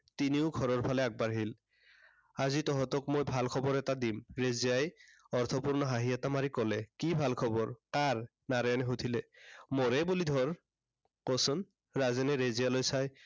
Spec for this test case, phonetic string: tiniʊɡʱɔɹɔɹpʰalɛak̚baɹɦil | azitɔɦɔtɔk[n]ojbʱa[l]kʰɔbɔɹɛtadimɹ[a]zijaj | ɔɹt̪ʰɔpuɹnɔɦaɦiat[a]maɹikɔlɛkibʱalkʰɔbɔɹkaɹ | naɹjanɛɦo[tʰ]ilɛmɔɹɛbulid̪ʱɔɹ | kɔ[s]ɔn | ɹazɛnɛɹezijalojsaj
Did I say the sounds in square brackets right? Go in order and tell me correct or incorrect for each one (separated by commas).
incorrect, correct, incorrect, correct, correct, correct